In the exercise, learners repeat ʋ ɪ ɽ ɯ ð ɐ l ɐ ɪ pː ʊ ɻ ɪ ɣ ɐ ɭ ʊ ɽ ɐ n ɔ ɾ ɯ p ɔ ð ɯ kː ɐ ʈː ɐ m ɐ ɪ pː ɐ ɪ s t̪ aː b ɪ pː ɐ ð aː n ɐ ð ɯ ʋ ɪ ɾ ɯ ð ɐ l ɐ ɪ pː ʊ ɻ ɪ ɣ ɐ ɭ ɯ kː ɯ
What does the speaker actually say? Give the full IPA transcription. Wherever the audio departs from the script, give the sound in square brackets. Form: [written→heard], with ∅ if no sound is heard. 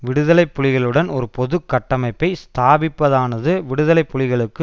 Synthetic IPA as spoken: ʋ ɪ ɽ ɯ ð ɐ l ɐ ɪ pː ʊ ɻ ɪ ɣ ɐ ɭ [ʊ→ɯ] ɽ ɐ n ɔ ɾ ɯ p ɔ ð ɯ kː ɐ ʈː ɐ m ɐ ɪ pː ɐ ɪ s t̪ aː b ɪ pː ɐ ð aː n ɐ ð ɯ ʋ ɪ [ɾ→ɽ] ɯ ð ɐ l ɐ ɪ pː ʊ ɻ ɪ ɣ ɐ ɭ ɯ kː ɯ